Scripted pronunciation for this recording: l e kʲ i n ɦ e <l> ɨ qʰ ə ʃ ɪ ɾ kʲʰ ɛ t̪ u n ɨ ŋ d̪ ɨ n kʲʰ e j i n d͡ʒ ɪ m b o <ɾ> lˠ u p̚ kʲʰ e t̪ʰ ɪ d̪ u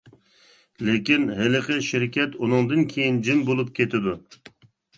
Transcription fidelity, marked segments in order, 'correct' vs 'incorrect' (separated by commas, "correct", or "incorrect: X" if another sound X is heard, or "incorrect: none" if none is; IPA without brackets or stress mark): correct, incorrect: none